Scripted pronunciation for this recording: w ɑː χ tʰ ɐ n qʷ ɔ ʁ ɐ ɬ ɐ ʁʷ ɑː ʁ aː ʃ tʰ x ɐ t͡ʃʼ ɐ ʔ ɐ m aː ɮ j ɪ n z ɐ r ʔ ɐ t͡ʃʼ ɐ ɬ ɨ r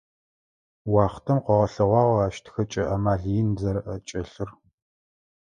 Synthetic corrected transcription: w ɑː χ tʰ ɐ m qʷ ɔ ʁ ɐ ɬ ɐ ʁʷ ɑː ʁ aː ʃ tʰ x ɐ t͡ʃʼ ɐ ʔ ɐ m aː ɮ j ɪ n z ɐ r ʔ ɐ t͡ʃʼ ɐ ɬ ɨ r

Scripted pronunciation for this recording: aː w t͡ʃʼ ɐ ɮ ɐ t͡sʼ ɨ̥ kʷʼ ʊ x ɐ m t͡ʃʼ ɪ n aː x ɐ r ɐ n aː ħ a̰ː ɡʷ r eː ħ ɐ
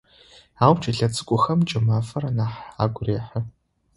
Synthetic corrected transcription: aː w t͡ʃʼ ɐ ɮ ɐ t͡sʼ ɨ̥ kʷʼ ʊ x ɐ m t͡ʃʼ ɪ m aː f ɐ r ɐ n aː ħ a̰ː ɡʷ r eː ħ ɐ

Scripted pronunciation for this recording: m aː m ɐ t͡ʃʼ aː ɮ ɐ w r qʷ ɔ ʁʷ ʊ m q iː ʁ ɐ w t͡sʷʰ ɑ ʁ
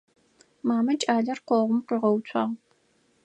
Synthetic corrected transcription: m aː m ɐ t͡ʃʼ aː ɮ ɐ r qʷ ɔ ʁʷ ʊ m q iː ʁ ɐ w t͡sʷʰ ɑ ʁ

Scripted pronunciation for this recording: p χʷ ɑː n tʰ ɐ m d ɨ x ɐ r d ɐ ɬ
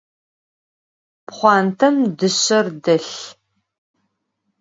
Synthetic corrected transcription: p χʷ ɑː n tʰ ɐ m d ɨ ɕ ɐ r d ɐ ɬ

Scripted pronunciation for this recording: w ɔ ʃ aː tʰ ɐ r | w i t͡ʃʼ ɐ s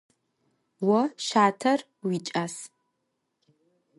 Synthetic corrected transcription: w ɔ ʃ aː tʰ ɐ r | w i t͡ʃʼ a s

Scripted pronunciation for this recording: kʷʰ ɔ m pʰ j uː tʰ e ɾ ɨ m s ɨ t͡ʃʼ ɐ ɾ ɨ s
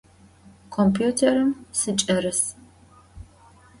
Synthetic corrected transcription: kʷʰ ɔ m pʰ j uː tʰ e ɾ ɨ m s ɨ t͡ʃʼ ɐ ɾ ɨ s

